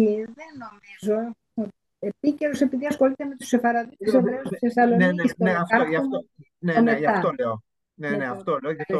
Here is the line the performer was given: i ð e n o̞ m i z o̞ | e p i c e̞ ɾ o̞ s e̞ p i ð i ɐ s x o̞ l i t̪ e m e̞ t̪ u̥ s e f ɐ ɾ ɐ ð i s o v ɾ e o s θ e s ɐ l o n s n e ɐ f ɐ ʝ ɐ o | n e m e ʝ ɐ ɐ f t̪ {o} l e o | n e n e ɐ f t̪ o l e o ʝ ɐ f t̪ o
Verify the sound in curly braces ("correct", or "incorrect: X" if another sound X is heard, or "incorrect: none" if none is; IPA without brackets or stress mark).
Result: correct